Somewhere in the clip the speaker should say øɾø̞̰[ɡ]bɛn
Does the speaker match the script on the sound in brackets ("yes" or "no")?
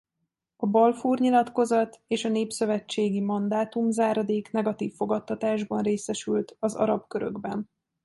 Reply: yes